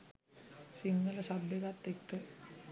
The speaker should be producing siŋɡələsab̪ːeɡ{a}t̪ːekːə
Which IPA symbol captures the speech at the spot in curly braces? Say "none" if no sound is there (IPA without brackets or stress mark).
a